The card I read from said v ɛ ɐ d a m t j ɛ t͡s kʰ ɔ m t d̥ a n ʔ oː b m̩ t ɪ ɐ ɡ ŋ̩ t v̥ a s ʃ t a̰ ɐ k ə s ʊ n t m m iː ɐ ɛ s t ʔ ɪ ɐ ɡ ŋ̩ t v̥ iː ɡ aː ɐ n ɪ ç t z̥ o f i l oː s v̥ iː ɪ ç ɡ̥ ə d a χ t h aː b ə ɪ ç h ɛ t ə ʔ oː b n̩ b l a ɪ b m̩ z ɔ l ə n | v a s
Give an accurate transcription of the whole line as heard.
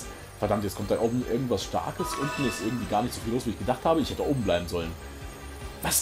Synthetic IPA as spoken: f ɛ ɐ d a m t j ɛ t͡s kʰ ɔ m t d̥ a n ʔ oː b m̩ ʔ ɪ ɐ ɡ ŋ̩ t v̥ a s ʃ t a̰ ɐ k ə s ʊ n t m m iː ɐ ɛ s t ʔ ɪ ɐ ɡ ŋ̩ t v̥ iː ɡ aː ɐ n ɪ ç t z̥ o f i l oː s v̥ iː ɪ ç ɡ̥ ə d a χ t h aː b ə ɪ ç h ɛ t ə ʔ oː b m̩ b l a ɪ b m̩ z ɔ l ə n | v a s